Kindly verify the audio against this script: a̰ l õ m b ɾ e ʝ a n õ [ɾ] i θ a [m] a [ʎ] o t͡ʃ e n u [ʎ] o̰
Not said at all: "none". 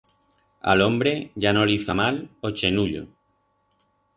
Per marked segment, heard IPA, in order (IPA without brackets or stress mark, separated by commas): l, m, l, ʎ